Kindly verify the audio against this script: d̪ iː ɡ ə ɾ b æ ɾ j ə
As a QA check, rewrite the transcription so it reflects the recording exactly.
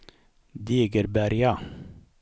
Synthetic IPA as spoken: d̪ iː ɡ ə ɾ b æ ɾ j a